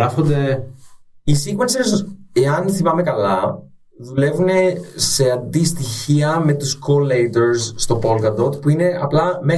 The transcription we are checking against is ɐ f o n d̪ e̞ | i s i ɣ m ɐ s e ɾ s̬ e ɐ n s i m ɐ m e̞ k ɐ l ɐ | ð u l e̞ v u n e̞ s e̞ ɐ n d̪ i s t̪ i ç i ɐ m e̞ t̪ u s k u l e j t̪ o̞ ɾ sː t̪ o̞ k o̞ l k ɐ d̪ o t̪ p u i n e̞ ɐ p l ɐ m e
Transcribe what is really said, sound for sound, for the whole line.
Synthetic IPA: ɐ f o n d̪ e̞ | i s i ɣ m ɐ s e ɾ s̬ e ɐ n θ i m ɐ m e̞ k ɐ l ɐ | ð u l e̞ v u n e̞ s e̞ ɐ n d̪ i s t̪ i ç i ɐ m e̞ t̪ u s k o l e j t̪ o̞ ɾ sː t̪ o̞ p o̞ l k ɐ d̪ o t̪ p u i n e̞ ɐ p l ɐ m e